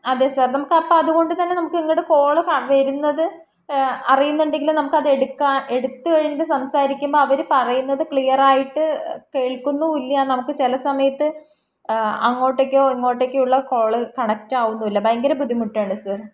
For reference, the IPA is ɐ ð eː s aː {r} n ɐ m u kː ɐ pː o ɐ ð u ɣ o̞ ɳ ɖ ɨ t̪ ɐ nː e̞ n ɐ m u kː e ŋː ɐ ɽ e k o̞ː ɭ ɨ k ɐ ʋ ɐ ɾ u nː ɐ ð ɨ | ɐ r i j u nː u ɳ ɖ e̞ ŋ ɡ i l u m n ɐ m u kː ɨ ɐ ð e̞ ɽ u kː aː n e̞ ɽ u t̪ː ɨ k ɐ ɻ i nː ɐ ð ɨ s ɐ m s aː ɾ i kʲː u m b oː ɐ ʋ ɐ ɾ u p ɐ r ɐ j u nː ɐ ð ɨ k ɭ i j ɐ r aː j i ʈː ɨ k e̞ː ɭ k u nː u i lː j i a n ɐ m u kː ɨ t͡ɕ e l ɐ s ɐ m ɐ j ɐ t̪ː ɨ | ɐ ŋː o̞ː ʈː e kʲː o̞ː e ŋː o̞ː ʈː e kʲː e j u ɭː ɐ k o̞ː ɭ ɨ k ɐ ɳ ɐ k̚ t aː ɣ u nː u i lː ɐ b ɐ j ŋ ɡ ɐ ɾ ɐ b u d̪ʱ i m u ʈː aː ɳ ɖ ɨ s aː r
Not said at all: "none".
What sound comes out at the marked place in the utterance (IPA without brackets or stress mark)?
r